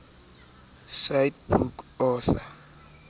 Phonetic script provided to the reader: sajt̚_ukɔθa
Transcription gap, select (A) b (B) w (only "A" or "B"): A